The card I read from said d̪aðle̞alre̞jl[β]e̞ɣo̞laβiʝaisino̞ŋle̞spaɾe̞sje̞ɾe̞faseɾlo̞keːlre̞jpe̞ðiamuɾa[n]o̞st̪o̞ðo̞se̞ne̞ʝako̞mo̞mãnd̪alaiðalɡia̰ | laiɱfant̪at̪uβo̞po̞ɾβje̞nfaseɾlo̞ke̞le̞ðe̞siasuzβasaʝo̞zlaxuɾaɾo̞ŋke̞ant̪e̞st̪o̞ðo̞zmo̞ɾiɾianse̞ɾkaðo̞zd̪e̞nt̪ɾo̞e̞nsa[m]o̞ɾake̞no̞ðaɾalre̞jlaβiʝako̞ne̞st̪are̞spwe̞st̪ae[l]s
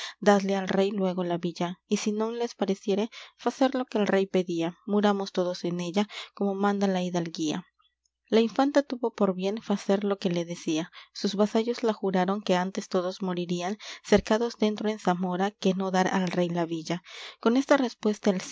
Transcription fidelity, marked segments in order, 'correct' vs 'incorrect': incorrect: w, incorrect: m, correct, correct

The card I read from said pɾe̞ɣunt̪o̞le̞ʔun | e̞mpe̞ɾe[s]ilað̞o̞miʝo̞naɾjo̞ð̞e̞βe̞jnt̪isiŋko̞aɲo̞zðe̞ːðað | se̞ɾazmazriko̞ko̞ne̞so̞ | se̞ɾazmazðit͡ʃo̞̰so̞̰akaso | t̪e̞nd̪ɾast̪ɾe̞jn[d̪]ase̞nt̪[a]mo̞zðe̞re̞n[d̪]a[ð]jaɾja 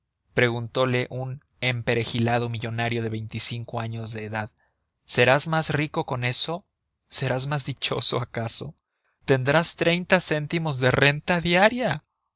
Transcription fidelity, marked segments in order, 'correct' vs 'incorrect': incorrect: x, incorrect: t̪, incorrect: i, incorrect: t̪, correct

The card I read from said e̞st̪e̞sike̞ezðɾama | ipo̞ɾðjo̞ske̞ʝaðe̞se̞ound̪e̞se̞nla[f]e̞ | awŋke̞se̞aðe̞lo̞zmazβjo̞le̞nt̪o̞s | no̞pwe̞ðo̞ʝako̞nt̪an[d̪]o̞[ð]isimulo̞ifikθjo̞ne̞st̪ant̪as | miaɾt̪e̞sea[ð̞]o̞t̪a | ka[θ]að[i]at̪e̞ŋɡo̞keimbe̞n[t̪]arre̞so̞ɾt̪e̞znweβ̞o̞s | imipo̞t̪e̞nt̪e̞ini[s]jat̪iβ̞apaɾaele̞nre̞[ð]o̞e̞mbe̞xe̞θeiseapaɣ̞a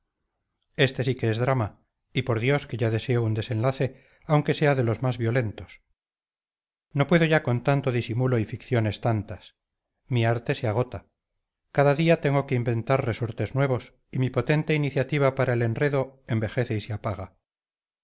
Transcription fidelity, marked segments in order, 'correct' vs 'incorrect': incorrect: θ, incorrect: t̪, correct, incorrect: ɣ̞, incorrect: ð, correct, correct, incorrect: θ, correct

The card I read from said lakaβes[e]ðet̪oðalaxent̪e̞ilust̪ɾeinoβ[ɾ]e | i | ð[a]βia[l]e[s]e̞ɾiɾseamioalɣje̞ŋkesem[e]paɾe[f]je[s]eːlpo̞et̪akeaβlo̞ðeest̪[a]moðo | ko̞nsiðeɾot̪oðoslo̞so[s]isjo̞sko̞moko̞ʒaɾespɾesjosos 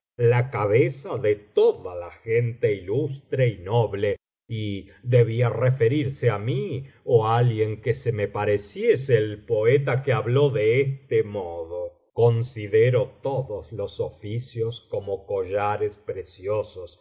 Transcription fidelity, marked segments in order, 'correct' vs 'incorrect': incorrect: a, incorrect: l, incorrect: e, incorrect: r, incorrect: f, correct, incorrect: s, correct, incorrect: e, incorrect: f

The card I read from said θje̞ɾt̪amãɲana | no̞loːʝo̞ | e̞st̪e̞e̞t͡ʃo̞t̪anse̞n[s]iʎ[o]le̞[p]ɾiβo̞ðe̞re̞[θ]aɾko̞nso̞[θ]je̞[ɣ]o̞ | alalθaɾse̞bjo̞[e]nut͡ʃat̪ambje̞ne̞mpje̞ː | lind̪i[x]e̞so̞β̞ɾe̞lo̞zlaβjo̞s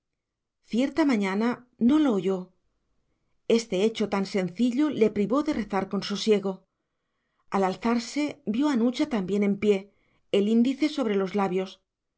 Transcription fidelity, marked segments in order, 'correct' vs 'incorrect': incorrect: θ, correct, correct, correct, incorrect: s, correct, incorrect: a, incorrect: θ

